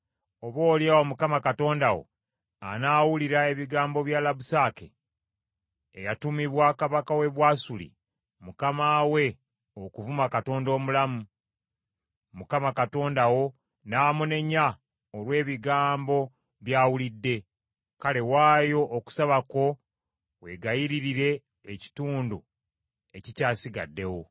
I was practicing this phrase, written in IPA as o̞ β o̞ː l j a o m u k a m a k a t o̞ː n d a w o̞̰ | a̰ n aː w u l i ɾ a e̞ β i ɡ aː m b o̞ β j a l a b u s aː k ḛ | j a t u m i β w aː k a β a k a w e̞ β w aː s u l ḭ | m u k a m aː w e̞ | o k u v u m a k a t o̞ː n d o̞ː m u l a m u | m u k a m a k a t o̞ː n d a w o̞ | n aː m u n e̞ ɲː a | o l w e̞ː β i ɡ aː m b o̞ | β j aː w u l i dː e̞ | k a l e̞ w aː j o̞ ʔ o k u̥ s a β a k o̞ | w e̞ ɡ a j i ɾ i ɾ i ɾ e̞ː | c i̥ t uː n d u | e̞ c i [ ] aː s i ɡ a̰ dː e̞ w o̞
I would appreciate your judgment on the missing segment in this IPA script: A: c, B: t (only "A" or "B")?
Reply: A